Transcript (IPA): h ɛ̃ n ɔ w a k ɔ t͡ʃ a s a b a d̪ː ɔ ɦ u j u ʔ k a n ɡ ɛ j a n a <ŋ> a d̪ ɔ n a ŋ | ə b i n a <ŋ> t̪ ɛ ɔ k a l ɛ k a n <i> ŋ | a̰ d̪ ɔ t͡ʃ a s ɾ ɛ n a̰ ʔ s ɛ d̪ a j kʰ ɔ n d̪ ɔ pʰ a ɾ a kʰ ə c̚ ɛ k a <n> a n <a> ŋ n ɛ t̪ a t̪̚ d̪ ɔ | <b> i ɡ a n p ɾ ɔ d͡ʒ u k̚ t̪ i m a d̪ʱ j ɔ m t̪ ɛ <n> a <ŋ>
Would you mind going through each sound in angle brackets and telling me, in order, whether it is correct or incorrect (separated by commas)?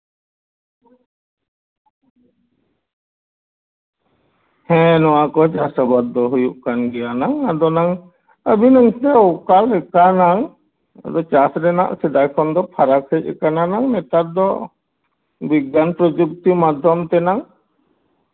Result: correct, correct, incorrect, correct, correct, correct, correct, correct